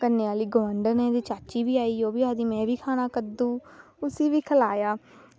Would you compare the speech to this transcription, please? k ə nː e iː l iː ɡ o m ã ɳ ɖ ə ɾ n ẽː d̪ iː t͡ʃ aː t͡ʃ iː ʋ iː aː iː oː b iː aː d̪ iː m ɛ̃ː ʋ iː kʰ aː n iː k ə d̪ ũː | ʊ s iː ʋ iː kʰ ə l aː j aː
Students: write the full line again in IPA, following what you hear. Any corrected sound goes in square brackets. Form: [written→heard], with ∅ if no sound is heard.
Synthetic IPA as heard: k ə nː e [iː→aː] l iː ɡ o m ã ɳ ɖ ə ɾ n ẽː d̪ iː t͡ʃ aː t͡ʃ iː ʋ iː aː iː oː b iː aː d̪ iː m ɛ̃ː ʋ iː kʰ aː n [iː→aː] k ə d̪ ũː | ʊ s iː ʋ iː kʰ ə l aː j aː

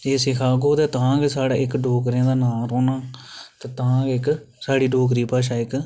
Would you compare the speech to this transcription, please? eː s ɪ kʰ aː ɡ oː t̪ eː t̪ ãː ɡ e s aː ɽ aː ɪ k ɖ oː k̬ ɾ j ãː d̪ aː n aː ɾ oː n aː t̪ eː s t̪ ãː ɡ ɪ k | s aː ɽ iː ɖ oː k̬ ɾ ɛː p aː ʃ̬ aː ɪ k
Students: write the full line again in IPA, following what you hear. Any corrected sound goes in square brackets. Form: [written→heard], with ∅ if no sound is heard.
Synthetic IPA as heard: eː s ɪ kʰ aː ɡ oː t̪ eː t̪ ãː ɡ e s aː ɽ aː ɪ k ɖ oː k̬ ɾ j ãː d̪ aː n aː ɾ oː n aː t̪ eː [s→∅] t̪ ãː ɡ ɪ k | s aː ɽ iː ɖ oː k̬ ɾ [ɛː→iː] p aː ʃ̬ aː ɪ k

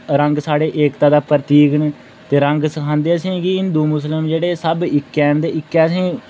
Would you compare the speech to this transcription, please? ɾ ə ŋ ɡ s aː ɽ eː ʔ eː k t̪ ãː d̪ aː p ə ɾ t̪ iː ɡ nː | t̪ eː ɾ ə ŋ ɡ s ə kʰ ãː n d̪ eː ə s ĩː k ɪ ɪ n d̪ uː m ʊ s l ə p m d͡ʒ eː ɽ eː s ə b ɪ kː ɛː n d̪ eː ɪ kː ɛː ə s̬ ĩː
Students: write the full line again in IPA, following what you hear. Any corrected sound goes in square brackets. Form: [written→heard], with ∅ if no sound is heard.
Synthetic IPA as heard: ɾ ə ŋ ɡ s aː ɽ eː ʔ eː k t̪ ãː d̪ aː p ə ɾ t̪ iː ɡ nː | t̪ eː ɾ ə ŋ ɡ s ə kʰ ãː n d̪ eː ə s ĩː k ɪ ɪ n d̪ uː m ʊ s l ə [p→∅] m d͡ʒ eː ɽ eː s ə b ɪ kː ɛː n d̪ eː ɪ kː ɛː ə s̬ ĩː

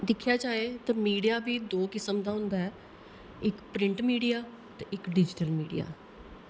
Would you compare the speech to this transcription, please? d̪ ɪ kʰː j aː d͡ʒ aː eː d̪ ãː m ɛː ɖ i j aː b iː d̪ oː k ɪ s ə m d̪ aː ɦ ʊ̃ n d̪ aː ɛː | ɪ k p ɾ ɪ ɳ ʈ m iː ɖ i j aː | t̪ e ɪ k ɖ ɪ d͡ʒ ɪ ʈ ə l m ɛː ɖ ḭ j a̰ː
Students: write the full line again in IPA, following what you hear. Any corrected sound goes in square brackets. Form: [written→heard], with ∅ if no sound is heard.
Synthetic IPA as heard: d̪ ɪ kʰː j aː d͡ʒ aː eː [d̪→t̪] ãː m [ɛː→iː] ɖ i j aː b iː d̪ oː k ɪ s ə m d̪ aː ɦ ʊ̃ n d̪ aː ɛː | ɪ k p ɾ ɪ ɳ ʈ m iː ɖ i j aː | t̪ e ɪ k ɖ ɪ d͡ʒ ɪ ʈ ə l m [ɛː→iː] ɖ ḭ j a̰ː

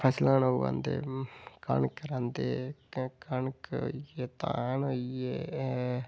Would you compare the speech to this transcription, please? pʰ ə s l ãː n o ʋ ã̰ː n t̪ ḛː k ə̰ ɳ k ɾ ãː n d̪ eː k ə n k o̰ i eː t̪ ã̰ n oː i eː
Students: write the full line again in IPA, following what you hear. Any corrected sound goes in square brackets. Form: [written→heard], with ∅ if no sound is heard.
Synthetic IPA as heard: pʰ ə s l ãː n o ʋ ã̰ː n [t̪→d̪] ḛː k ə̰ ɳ k ɾ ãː n d̪ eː k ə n k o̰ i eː t̪ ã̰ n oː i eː

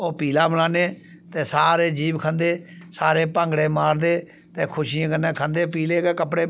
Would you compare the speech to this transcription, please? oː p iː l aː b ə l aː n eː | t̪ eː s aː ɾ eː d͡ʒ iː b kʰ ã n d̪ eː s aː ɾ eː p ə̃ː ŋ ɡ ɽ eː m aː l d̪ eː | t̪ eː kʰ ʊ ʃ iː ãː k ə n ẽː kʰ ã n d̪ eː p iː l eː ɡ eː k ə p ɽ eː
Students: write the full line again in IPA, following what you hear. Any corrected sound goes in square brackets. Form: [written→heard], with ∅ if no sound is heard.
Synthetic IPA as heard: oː p iː l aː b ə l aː n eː | t̪ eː s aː ɾ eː d͡ʒ iː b kʰ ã n d̪ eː s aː ɾ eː p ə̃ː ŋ ɡ ɽ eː m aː [l→ɾ] d̪ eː | t̪ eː kʰ ʊ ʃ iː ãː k ə n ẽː kʰ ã n d̪ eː p iː l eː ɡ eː k ə p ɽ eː

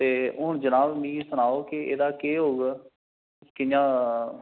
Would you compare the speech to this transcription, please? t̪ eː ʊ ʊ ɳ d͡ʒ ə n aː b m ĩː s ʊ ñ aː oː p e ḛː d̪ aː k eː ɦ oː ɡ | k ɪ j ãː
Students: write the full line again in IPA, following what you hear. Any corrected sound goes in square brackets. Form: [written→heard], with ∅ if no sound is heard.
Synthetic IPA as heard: t̪ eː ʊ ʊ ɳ d͡ʒ ə n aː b m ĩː s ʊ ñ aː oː [p→k] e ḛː d̪ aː k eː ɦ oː ɡ | k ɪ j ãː

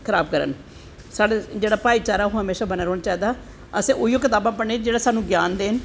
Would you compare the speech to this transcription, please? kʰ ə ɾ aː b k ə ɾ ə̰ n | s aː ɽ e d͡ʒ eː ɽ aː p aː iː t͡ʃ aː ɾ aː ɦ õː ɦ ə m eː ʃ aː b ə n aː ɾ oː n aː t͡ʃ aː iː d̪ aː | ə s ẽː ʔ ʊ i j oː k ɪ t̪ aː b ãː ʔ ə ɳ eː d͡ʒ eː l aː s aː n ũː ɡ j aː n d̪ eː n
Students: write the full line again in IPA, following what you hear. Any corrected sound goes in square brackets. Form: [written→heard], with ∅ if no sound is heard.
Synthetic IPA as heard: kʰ ə ɾ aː b k ə ɾ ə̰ n | s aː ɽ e d͡ʒ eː ɽ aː p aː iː t͡ʃ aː ɾ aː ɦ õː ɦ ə m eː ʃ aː b ə n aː ɾ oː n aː t͡ʃ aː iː d̪ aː | ə s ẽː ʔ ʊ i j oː k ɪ t̪ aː b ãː [ʔ→p] ə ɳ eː d͡ʒ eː [l→ɽ] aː s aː n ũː ɡ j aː n d̪ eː n

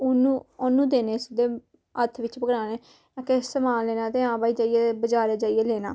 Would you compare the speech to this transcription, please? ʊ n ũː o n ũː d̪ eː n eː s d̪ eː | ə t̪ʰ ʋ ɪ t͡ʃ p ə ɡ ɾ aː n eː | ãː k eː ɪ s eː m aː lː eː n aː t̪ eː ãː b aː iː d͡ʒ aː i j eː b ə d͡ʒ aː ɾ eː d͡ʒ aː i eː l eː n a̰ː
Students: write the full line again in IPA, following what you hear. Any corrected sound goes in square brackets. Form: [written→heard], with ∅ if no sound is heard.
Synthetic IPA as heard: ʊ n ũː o n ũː d̪ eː n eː s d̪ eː | ə t̪ʰ ʋ ɪ t͡ʃ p ə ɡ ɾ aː n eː | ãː k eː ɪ s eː m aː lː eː n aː t̪ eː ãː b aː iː d͡ʒ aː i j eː b ə d͡ʒ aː ɾ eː d͡ʒ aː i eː l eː n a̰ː

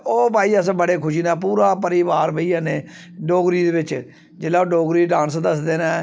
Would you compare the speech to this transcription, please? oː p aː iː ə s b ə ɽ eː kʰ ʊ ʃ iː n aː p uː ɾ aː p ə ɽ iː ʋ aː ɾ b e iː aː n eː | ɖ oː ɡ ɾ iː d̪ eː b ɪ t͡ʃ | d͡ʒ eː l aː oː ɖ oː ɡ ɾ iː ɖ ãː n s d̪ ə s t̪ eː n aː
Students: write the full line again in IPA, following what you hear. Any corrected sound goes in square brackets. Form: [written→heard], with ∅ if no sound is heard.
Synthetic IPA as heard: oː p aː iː ə s b ə ɽ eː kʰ ʊ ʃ iː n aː p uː ɾ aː p ə [ɽ→ɾ] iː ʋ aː ɾ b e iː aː n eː | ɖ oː ɡ ɾ iː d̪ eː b ɪ t͡ʃ | d͡ʒ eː l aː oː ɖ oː ɡ ɾ iː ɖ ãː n s d̪ ə s [t̪→d̪] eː n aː

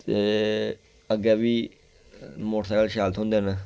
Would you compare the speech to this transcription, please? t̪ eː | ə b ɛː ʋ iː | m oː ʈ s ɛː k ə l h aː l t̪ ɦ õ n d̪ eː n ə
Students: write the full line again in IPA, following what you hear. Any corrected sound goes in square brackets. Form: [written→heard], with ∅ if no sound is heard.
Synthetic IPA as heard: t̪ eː | ə [b→ɡ] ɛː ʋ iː | m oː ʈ s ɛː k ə l [h→ʃ] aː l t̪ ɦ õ n d̪ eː n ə

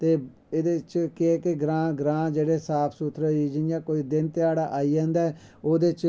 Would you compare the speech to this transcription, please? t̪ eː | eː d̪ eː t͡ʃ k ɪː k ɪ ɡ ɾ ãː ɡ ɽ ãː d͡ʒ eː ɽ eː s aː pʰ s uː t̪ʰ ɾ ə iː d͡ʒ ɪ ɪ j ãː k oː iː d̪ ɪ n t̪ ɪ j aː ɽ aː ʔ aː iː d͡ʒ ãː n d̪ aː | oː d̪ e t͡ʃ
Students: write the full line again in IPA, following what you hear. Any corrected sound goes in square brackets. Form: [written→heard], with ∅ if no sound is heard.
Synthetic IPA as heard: t̪ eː | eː d̪ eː t͡ʃ k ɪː k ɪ ɡ ɾ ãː ɡ [ɽ→ɾ] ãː d͡ʒ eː ɽ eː s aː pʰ s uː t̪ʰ ɾ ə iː d͡ʒ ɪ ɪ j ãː k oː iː d̪ ɪ n t̪ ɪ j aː ɽ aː ʔ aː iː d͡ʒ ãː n d̪ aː | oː d̪ e t͡ʃ

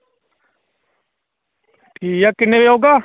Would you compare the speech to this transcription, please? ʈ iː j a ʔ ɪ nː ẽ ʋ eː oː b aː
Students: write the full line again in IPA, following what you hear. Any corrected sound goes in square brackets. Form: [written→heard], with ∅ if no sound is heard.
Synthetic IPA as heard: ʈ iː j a [ʔ→k] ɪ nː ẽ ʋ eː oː [b→ɡ] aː

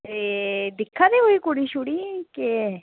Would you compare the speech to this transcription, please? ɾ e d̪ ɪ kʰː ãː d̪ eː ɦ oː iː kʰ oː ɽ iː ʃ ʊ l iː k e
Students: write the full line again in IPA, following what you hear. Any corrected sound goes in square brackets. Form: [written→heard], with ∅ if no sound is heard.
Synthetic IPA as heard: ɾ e d̪ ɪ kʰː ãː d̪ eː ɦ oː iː [kʰ→k] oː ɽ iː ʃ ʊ [l→ɽ] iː k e

